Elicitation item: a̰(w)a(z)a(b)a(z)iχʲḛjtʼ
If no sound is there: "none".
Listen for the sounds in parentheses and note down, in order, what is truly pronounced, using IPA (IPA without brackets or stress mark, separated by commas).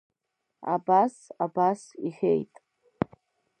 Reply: b, s, b, s